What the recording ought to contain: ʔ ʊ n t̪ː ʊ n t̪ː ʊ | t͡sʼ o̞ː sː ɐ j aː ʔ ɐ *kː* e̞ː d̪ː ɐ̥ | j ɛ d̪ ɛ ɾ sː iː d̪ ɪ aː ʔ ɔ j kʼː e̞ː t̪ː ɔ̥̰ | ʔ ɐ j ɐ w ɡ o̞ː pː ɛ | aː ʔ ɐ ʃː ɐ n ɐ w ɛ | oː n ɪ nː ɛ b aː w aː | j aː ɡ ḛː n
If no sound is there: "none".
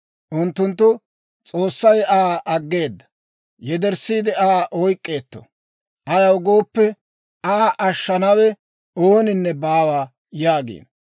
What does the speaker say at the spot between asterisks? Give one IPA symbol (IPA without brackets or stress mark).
ɡː